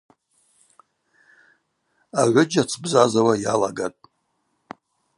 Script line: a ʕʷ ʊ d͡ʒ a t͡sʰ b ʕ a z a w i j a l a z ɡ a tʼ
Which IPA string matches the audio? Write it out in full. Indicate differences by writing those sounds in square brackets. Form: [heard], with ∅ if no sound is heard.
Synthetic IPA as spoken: a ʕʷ ʊ d͡ʒ a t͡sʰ b [z] a z a w [a] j a l a [∅] ɡ a tʼ